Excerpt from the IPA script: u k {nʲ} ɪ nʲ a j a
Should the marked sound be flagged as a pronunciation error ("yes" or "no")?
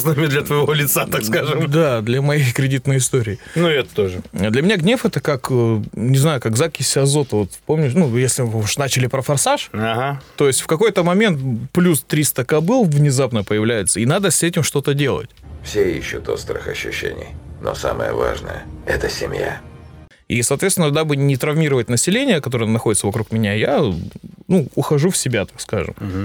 yes